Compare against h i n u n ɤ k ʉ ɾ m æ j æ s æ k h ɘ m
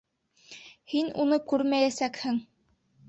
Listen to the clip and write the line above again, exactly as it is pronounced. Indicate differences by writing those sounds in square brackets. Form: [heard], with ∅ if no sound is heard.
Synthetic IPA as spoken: h i n u n ɤ k ʉ ɾ m æ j æ s æ k h ɘ [ŋ]